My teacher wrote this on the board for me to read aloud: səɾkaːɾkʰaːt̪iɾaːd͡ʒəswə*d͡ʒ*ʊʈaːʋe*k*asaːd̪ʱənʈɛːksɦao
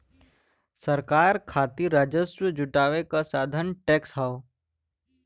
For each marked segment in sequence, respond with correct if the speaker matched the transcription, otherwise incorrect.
correct, correct

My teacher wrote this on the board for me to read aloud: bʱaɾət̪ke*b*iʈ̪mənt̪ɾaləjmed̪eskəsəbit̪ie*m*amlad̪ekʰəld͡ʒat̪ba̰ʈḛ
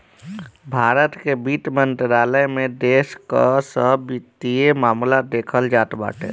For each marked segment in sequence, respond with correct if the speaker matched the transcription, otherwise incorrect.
correct, correct

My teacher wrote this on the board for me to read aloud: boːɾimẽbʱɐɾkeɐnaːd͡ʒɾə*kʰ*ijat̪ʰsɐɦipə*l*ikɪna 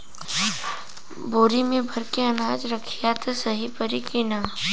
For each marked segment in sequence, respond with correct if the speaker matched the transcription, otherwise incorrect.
correct, incorrect: ɾ

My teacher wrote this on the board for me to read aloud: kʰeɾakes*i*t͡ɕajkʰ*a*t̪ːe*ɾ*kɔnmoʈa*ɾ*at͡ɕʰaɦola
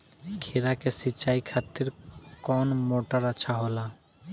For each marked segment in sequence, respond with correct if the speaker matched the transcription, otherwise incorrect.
correct, correct, correct, correct

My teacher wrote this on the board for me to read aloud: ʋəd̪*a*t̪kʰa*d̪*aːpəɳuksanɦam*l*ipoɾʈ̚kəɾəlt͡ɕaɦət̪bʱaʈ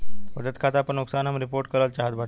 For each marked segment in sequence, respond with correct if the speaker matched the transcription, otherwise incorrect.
incorrect: ə, incorrect: t̪, incorrect: ɾ

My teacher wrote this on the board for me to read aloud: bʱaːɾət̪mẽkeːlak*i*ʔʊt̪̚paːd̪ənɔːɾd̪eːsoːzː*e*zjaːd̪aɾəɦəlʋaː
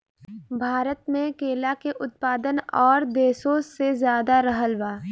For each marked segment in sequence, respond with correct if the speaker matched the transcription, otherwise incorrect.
incorrect: e, correct

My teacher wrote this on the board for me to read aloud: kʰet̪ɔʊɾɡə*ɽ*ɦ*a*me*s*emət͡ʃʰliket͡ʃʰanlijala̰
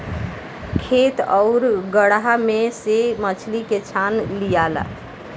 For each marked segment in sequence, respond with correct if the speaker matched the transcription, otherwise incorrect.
correct, correct, correct

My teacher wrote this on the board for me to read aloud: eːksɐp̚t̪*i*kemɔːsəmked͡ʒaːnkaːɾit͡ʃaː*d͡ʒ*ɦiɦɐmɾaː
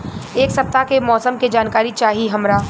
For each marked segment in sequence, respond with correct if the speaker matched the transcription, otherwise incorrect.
incorrect: a, incorrect: none

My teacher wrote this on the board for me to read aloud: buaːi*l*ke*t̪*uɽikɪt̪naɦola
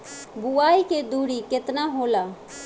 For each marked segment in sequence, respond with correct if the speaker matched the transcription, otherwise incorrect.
incorrect: none, incorrect: d̪

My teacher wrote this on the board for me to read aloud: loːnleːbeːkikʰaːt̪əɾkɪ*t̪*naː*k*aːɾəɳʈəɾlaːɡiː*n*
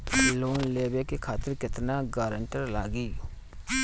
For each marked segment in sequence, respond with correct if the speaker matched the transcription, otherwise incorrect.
correct, incorrect: ɡ, incorrect: none

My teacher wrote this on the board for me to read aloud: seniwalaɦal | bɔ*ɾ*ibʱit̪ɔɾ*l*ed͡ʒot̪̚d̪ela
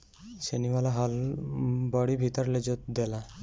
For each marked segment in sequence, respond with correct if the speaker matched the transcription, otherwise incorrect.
incorrect: ɽ, correct

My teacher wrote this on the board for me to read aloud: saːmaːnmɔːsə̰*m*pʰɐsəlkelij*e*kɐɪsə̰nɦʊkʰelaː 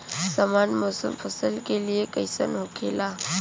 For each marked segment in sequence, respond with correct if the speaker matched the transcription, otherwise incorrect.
correct, correct

